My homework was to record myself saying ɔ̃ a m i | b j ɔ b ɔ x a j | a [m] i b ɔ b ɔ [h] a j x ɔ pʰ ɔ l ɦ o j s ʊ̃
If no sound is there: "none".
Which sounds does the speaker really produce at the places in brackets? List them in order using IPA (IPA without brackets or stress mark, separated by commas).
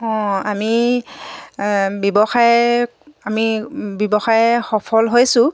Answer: m, x